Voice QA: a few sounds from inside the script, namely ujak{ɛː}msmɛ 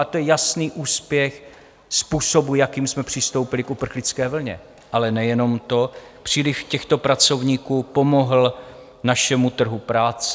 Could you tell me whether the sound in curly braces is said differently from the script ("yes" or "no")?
yes